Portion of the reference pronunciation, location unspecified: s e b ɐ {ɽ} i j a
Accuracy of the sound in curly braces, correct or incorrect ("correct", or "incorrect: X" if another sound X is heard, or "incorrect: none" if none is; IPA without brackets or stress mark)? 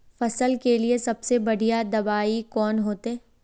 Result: correct